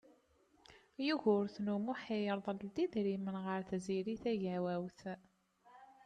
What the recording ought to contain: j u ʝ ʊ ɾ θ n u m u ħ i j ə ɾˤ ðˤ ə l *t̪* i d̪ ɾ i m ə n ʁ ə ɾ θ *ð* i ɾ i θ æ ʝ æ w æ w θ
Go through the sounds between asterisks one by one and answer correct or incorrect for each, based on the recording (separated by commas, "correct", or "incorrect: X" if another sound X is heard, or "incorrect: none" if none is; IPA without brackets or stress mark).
incorrect: d̪, incorrect: z